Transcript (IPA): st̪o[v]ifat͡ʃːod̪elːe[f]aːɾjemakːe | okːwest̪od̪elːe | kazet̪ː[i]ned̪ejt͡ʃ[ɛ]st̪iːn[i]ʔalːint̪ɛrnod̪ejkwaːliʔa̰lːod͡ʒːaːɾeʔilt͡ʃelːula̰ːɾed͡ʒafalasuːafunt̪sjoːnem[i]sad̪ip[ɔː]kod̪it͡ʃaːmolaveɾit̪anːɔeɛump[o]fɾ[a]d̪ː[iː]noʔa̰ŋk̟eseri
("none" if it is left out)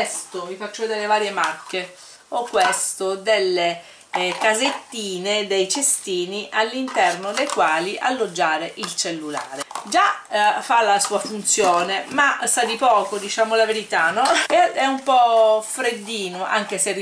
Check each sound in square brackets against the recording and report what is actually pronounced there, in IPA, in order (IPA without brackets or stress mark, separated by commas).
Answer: v, v, iː, e, i, a, ɔː, ɔ, e, iː